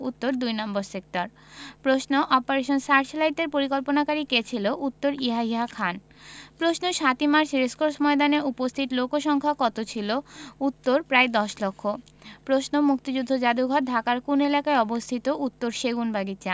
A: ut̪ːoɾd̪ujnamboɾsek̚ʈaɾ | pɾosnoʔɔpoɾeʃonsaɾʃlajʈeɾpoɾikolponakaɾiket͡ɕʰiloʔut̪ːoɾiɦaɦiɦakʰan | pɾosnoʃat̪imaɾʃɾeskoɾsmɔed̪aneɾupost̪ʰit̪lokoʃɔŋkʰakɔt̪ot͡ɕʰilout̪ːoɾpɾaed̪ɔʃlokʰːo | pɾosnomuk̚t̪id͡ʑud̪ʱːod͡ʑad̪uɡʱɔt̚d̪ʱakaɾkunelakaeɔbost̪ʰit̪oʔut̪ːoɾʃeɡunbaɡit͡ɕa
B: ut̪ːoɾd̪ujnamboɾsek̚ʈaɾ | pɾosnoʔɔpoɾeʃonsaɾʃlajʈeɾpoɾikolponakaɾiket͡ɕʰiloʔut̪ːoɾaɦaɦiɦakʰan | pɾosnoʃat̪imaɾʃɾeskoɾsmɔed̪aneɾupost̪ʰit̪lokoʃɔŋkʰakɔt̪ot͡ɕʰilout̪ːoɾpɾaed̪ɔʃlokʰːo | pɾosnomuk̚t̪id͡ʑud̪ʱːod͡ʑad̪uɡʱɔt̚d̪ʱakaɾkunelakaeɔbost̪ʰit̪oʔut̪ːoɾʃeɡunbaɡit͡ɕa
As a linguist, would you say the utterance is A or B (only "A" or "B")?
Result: A